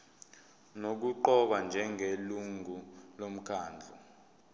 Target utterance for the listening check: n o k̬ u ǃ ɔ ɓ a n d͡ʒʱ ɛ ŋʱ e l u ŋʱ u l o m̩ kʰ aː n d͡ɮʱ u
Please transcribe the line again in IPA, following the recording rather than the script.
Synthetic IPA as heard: n o k̬ u ǃ ɔ ɓ a n d͡ʒʱ ɛ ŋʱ e l u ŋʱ u l o m̩ kʰ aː n d͡ɮʱ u